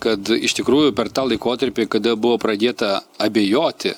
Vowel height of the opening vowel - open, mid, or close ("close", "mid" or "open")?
open